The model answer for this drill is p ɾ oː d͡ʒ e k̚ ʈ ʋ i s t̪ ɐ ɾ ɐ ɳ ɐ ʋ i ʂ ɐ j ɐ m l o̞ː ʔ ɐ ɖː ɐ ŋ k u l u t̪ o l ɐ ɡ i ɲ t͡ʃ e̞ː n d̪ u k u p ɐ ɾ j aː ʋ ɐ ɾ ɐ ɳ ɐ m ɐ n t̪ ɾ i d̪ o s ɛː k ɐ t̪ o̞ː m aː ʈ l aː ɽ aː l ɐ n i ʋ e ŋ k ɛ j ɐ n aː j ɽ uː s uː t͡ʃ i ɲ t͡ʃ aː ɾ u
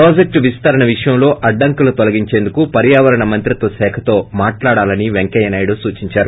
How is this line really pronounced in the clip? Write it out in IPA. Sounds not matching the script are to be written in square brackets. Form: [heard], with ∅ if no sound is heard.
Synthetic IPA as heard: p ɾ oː d͡ʒ e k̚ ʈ ʋ i s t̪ ɐ ɾ ɐ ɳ ɐ ʋ i ʂ ɐ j ɐ m l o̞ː ʔ ɐ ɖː ɐ ŋ k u l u t̪ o l ɐ ɡ i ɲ t͡ʃ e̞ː n d̪ u k u p ɐ ɾ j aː ʋ ɐ ɾ ɐ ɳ ɐ m ɐ n t̪ ɾ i [t̪] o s ɛː [kʰ] ɐ t̪ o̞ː m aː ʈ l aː ɽ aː l ɐ n i ʋ e ŋ k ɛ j ɐ n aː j ɽ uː s uː t͡ʃ i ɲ t͡ʃ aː ɾ u